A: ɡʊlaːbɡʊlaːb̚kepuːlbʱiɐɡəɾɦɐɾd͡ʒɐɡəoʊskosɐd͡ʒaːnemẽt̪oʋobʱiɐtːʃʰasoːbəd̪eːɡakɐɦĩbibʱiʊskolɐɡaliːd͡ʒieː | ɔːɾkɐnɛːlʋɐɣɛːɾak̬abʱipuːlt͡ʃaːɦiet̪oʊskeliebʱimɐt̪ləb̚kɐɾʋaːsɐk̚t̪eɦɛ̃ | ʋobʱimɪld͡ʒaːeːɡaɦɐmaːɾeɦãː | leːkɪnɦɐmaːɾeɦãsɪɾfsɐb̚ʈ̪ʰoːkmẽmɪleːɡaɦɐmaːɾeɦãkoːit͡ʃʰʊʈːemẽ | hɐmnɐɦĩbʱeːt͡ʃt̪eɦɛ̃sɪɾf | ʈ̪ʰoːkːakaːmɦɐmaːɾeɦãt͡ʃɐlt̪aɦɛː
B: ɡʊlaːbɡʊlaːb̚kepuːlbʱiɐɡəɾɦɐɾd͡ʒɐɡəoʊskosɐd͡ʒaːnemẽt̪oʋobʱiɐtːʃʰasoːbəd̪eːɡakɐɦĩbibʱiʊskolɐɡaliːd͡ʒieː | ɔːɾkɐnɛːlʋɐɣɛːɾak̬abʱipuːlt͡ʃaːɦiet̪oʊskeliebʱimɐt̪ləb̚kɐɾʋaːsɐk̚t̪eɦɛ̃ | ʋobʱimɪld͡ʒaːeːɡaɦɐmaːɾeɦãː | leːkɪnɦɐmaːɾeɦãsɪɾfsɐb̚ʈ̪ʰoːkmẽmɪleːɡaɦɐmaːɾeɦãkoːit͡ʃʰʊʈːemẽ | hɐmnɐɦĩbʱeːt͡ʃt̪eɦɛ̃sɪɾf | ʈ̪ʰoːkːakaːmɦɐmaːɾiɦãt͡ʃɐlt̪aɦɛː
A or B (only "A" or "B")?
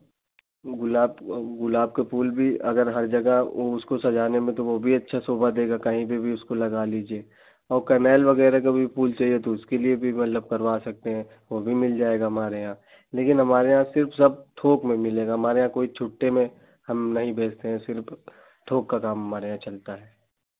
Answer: A